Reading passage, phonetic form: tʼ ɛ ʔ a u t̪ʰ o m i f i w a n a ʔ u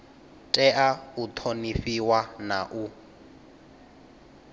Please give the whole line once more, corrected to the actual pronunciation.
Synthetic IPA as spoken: tʼ ɛ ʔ a u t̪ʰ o n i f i w a n a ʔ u